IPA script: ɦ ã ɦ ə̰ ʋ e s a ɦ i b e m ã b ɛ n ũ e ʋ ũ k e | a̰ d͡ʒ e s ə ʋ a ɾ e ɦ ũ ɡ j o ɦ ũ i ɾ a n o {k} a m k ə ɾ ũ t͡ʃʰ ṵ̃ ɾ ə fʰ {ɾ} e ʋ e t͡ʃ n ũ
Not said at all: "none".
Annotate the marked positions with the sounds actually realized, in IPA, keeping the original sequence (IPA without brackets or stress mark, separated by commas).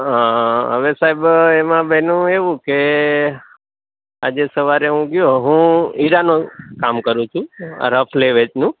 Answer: k, l